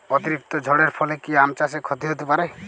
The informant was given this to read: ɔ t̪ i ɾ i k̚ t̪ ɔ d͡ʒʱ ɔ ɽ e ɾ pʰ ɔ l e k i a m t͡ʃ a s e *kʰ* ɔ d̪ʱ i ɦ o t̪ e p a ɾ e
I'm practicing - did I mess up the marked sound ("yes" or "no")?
no